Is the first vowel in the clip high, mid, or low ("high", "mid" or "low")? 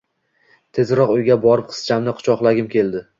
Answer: mid